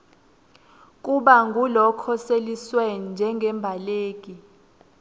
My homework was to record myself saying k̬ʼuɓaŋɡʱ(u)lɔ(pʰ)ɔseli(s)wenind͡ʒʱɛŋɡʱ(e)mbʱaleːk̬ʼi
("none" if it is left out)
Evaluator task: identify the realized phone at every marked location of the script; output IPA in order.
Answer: u, kʰ, s, ɛ

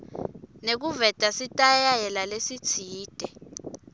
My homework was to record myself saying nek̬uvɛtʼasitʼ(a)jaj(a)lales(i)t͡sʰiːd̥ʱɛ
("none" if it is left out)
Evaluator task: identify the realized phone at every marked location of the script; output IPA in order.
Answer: a, ɛ, i

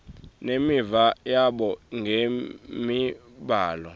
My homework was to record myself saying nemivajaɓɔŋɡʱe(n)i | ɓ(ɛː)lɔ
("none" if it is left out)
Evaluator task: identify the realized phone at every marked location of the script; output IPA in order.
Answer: m, aː

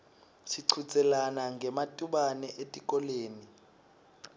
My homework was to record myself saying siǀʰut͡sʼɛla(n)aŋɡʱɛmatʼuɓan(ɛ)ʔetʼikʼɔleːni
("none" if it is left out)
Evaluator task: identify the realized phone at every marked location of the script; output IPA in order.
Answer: n, ɛ

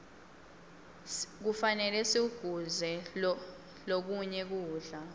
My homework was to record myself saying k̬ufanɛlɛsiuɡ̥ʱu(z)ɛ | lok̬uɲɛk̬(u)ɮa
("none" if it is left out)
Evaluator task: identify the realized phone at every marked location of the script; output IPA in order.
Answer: z, uː

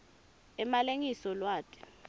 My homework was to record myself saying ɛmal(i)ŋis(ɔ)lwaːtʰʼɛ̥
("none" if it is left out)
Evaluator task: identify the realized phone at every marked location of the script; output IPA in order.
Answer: e, ɔ

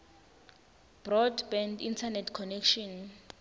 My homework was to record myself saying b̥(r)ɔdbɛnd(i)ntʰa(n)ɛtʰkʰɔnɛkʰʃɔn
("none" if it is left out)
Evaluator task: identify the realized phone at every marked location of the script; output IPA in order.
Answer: r, i, n

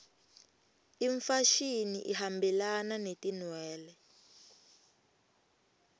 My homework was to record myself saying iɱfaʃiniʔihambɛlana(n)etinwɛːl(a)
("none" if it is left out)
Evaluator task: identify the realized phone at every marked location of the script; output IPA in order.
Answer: n, ɛ

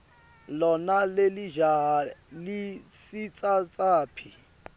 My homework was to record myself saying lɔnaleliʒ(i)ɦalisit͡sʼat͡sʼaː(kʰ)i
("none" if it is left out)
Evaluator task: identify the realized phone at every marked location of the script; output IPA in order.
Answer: a, pʰ

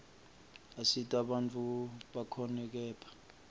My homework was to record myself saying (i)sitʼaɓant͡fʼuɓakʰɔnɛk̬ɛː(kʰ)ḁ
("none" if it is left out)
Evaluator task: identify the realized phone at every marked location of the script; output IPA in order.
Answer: a, pʰ

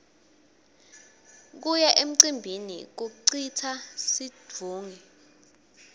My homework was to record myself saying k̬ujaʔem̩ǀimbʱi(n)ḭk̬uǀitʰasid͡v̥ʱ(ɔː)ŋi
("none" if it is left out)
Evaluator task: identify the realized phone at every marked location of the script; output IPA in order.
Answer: n, uː

